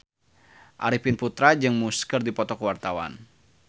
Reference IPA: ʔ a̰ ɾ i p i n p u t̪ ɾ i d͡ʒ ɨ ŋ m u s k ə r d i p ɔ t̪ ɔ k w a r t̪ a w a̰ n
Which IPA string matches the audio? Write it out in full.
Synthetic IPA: ʔ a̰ ɾ i p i n p u t̪ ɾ a d͡ʒ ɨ ŋ m u s k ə r d i p ɔ t̪ ɔ k w a r t̪ a w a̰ n